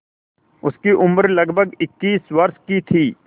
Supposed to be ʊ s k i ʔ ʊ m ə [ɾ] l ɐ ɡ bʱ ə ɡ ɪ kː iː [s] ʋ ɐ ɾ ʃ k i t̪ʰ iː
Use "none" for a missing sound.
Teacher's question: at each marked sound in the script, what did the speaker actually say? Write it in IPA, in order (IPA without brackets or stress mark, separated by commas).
ɾ, s